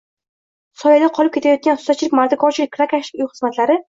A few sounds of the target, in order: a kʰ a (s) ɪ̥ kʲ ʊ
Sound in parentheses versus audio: incorrect: ʃ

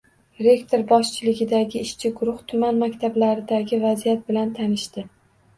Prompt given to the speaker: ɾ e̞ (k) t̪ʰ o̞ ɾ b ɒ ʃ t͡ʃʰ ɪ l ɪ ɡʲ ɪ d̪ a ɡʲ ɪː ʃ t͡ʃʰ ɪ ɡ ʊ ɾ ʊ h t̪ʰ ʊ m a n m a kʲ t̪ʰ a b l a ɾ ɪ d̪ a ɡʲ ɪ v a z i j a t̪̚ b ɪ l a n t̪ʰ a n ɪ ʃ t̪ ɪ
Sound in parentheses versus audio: correct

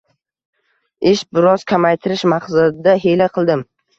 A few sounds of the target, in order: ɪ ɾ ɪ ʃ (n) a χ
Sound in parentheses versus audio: incorrect: m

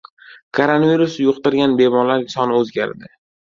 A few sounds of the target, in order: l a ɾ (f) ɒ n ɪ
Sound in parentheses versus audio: incorrect: s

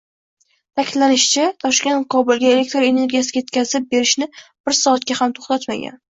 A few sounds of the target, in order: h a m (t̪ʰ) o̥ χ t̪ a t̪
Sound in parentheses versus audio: correct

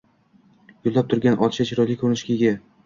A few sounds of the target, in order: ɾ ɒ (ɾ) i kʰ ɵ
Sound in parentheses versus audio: incorrect: l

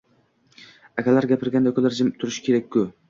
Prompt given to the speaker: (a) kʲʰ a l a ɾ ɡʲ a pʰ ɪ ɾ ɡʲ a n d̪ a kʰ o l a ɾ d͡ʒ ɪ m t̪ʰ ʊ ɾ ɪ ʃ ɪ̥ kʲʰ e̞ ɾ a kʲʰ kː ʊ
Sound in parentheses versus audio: correct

